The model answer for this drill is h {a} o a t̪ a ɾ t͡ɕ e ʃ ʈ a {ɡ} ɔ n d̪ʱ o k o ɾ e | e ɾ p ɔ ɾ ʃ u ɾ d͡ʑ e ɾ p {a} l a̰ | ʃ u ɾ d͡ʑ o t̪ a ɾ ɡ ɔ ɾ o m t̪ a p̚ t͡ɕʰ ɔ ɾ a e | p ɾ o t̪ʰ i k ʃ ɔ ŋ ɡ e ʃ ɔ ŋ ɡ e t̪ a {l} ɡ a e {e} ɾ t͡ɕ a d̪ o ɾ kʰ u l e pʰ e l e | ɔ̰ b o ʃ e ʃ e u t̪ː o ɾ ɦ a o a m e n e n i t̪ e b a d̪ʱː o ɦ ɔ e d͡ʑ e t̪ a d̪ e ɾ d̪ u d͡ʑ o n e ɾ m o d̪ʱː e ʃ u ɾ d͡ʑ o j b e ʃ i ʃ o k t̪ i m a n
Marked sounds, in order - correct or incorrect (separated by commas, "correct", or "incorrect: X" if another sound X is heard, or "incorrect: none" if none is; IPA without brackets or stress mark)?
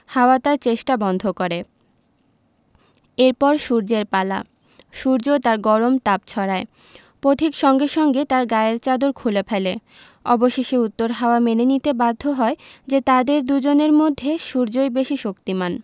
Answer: correct, incorrect: b, correct, incorrect: ɾ, correct